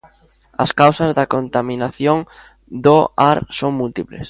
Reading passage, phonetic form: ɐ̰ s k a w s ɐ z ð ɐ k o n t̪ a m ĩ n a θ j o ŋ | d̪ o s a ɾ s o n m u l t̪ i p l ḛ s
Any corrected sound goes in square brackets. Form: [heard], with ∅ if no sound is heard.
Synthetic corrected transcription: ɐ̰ s k a w s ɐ z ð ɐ k o n t̪ a m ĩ n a θ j o ŋ | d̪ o [∅] a ɾ s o [ŋ] m u l t̪ i p l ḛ s